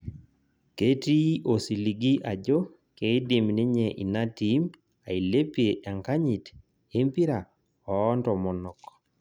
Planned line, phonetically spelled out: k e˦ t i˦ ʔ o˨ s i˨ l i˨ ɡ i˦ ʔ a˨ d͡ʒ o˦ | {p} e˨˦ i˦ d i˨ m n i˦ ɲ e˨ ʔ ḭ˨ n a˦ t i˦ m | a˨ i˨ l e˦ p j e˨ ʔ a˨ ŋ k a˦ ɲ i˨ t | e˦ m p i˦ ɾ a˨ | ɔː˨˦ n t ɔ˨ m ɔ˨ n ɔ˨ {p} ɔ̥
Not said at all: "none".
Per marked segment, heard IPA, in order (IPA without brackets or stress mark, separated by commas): k, k